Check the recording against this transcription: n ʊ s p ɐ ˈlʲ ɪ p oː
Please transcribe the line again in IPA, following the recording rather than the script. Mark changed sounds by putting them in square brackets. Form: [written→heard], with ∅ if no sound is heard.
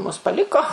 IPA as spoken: [n→m] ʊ s p ɐ ˈlʲ ɪ [p→k] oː